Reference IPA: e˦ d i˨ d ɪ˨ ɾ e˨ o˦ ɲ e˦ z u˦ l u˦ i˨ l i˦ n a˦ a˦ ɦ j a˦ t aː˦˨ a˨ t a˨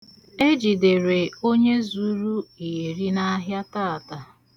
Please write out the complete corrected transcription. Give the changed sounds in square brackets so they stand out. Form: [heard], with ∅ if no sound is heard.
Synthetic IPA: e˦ [d͡ʒ] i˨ d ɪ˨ ɾ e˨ o˦ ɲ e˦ z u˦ [ɾ] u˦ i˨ [ɾ] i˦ n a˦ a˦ ɦ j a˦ t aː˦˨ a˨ t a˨